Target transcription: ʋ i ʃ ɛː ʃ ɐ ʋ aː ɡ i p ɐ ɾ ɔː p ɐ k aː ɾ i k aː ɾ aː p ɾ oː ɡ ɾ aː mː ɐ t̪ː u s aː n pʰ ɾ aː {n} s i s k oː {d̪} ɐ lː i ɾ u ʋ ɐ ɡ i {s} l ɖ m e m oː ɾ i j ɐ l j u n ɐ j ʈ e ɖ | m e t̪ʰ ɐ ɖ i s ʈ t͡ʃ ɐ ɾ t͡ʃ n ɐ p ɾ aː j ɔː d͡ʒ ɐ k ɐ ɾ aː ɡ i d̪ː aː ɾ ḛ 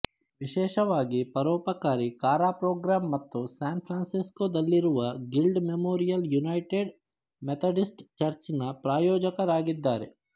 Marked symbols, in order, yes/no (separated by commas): yes, yes, no